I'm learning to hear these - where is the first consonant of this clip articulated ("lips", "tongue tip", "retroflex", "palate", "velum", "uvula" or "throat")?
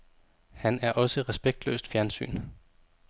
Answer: throat